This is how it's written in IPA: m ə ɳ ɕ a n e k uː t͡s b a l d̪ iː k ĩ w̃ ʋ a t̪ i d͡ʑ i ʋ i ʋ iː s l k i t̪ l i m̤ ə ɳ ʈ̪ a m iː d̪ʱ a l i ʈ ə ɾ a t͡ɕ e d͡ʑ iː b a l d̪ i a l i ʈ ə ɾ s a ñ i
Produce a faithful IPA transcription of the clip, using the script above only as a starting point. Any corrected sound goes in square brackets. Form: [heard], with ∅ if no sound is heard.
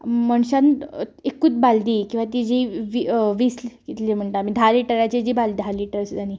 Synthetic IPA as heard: m ə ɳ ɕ a n e k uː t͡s b a l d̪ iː k ĩ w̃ ʋ a t̪ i d͡ʑ i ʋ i ʋ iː s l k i t̪ l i m̤ ə ɳ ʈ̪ a m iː d̪ʱ a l i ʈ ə ɾ a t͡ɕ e d͡ʑ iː b a l d̪ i a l i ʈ ə ɾ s a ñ i